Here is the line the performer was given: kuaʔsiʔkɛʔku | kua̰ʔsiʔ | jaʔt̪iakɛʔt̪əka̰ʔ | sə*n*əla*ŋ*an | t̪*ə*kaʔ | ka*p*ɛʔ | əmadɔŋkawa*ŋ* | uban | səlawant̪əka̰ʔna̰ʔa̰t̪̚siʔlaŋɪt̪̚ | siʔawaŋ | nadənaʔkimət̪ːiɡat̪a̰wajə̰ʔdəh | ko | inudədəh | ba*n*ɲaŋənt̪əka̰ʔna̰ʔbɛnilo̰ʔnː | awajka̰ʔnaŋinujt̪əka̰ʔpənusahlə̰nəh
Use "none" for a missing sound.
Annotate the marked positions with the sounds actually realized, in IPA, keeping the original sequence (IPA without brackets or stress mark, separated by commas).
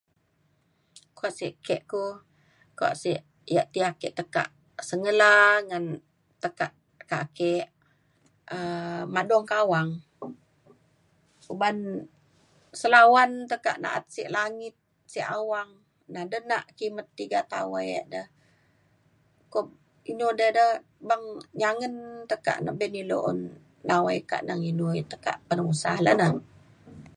ŋ, ŋ, ə, k, ŋ, ŋ